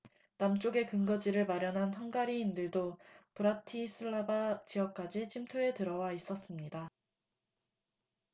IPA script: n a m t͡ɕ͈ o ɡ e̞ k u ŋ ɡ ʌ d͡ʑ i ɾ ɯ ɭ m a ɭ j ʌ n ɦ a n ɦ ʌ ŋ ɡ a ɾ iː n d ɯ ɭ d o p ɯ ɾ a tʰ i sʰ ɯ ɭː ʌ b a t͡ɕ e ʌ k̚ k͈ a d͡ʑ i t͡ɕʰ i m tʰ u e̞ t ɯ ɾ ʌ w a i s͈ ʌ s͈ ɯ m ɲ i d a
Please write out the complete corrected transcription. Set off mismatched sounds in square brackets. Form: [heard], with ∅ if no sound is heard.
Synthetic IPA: n a m t͡ɕ͈ o ɡ e̞ k [ɯ] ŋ ɡ ʌ d͡ʑ i ɾ ɯ ɭ m a [ɾ] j ʌ n ɦ a n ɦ ʌ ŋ ɡ a ɾ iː n d ɯ ɭ d o p ɯ ɾ a tʰ i sʰ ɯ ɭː [a] b a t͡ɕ [i] ʌ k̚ k͈ a d͡ʑ i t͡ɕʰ i m tʰ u e̞ t ɯ ɾ ʌ w a i s͈ ʌ s͈ ɯ m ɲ i d a